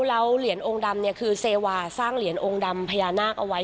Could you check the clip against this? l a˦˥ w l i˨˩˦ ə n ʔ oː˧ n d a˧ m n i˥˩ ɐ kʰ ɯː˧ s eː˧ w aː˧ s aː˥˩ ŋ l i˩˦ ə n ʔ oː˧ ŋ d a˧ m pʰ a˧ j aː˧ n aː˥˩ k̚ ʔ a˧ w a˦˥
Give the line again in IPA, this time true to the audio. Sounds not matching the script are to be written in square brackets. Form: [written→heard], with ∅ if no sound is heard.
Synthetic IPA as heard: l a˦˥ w l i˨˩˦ ə n ʔ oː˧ [n→ŋ] d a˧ m n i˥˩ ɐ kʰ ɯː˧ s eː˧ w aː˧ s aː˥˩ ŋ l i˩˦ ə n ʔ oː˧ ŋ d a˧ m pʰ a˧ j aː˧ n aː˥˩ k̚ ʔ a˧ w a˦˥